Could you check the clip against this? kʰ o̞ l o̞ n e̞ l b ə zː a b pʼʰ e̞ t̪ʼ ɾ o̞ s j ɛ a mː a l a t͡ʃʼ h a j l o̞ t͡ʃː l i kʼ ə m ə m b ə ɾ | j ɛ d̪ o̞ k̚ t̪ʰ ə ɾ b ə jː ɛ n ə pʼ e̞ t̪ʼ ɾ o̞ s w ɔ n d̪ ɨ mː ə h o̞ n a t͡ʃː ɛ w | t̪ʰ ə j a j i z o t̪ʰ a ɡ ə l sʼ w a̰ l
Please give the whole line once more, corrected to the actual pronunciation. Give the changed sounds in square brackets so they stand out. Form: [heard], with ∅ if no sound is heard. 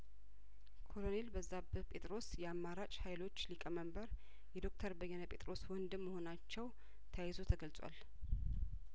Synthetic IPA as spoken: kʰ o̞ l o̞ n e̞ l b ə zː a b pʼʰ e̞ t̪ʼ ɾ o̞ s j ɛ a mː a [ɾ] a t͡ʃʼ h a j l o̞ t͡ʃː l i kʼ ə m ə m b ə ɾ | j ɛ d̪ o̞ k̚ t̪ʰ ə ɾ b ə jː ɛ n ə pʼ e̞ t̪ʼ ɾ o̞ s w ɔ n d̪ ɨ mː ə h o̞ n a t͡ʃː ɛ w | t̪ʰ ə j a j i z o t̪ʰ [ə] ɡ ə l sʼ w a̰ l